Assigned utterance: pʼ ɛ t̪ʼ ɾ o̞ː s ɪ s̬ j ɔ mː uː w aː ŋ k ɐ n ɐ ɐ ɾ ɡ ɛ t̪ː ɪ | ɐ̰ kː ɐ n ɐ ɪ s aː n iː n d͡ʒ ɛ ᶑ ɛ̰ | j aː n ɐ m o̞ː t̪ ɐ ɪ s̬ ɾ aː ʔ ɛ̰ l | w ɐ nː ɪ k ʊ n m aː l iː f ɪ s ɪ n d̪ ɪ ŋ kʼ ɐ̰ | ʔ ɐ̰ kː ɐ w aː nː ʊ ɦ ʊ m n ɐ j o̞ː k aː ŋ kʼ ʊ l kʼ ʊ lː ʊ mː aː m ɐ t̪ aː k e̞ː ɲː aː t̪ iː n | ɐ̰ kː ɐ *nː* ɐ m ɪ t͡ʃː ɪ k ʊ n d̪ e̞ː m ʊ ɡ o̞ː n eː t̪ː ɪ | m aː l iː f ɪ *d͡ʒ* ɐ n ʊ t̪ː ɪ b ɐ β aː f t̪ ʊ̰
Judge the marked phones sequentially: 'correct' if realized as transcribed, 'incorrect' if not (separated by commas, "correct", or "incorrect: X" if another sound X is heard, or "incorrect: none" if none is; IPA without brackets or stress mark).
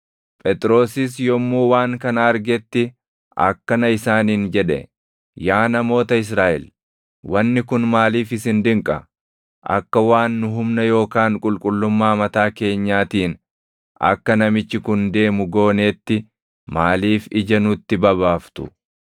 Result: incorrect: n, correct